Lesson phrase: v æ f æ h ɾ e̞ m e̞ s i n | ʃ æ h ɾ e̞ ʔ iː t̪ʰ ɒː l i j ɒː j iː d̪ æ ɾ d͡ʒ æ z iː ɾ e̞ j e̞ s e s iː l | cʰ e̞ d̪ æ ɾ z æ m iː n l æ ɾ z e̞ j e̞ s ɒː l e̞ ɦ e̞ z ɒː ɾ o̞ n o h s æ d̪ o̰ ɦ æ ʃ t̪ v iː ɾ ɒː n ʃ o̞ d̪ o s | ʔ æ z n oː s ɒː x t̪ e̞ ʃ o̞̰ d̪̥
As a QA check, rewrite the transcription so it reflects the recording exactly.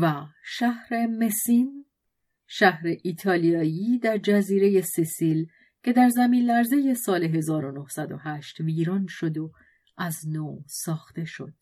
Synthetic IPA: v æ ʃ æ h ɾ e̞ m e̞ s i n | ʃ æ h ɾ e̞ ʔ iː t̪ʰ ɒː l i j ɒː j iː d̪ æ ɾ d͡ʒ æ z iː ɾ e̞ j e̞ s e s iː l | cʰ e̞ d̪ æ ɾ z æ m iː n l æ ɾ z e̞ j e̞ s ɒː l e̞ ɦ e̞ z ɒː ɾ o̞ n o h s æ d̪ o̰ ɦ æ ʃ t̪ v iː ɾ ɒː n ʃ o̞ d̪ o | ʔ æ z n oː s ɒː x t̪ e̞ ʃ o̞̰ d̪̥